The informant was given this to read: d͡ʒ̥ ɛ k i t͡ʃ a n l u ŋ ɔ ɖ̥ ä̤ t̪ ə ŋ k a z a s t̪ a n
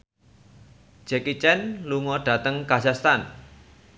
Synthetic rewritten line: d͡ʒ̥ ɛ k i t͡ʃ ɛ n l u ŋ ɔ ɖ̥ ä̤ t̪ ə ŋ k a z a s t̪ a n

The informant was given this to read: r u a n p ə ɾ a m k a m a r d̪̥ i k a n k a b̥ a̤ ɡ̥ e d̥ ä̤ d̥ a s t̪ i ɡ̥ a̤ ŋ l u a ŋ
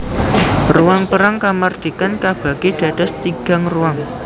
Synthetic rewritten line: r u a ŋ p ə ɾ a ŋ k a m a r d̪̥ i k a n k a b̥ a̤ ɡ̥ e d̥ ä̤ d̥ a s t̪ i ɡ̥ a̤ ŋ r u a ŋ

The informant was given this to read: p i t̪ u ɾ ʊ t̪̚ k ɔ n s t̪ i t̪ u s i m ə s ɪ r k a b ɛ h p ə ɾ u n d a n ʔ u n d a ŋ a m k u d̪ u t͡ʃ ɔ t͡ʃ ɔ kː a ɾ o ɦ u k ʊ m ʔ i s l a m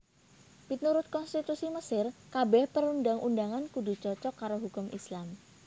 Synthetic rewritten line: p i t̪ u ɾ ʊ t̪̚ k ɔ n s t̪ i t̪ u s i m ə s ɪ r k a b ɛ h p ə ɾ u n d a ŋ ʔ u n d a ŋ a n k u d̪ u t͡ʃ ɔ t͡ʃ ɔ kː a ɾ o ɦ u k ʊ m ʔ i s l a m

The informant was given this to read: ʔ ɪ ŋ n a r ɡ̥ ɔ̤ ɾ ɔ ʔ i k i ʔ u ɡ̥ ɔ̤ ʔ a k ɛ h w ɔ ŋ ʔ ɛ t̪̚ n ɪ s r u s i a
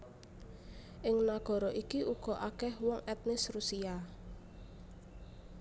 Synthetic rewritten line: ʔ ɪ ŋ n a ɡ̥ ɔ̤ ɾ ɔ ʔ i k i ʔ u ɡ̥ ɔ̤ ʔ a k ɛ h w ɔ ŋ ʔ ɛ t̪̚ n ɪ s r u s i a

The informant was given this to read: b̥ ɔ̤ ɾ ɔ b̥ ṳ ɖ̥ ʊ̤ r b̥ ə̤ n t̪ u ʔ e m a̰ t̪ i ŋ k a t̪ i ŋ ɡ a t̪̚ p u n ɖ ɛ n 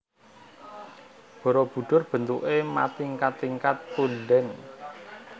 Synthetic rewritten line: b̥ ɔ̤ ɾ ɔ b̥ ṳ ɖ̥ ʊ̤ r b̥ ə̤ n t̪ u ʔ e m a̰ t̪ i ŋ k a t̪ i ŋ k a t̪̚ p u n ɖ ɛ n

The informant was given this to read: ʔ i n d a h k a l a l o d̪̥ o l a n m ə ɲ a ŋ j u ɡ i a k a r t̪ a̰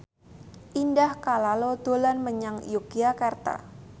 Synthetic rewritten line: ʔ i n d a h k a l a l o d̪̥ o l a n m ə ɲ a ŋ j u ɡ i a k a r t̪ a̰

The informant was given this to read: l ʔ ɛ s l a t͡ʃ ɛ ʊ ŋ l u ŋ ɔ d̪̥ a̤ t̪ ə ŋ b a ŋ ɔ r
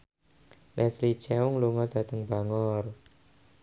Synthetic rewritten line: l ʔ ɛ s l i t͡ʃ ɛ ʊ ŋ l u ŋ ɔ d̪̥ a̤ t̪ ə ŋ b a ŋ ɔ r

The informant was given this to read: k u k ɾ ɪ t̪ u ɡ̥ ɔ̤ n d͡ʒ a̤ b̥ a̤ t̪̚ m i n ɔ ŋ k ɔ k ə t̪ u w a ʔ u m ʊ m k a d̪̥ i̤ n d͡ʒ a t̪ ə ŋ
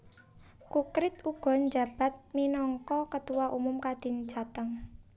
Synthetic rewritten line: k u k ɾ ɪ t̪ u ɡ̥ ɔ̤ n d͡ʒ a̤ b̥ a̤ t̪̚ m i n ɔ ŋ k ɔ k ə t̪ u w a ʔ u m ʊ m k a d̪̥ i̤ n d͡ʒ a t̪ ə ŋ

